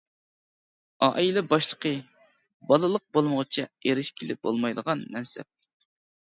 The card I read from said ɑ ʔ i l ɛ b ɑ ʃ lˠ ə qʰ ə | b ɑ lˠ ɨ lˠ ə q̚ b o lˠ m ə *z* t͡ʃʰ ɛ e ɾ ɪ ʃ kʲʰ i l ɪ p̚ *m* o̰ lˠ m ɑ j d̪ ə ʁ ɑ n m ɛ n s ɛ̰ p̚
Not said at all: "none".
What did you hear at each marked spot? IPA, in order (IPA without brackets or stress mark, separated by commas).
ʁ, b